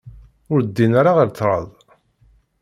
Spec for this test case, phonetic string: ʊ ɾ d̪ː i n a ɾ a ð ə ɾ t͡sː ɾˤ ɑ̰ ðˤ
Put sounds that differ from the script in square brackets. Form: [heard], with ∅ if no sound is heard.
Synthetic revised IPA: ʊ ɾ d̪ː i n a ɾ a [ʁ] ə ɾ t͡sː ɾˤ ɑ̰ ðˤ